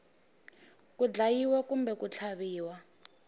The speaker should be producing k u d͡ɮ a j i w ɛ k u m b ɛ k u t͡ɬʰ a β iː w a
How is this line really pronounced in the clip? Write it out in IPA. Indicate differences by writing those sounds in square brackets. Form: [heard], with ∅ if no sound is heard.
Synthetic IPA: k u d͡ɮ a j i w ɛ k u m b ɛ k u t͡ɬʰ a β iː w a